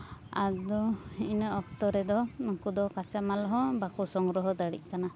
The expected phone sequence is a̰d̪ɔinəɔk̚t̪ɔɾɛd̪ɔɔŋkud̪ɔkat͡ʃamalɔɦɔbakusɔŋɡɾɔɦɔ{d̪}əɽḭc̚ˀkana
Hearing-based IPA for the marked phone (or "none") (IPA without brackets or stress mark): d̪